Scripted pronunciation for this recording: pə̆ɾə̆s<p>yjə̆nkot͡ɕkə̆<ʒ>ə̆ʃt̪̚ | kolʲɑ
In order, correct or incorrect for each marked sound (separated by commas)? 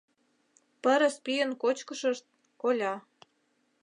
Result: correct, incorrect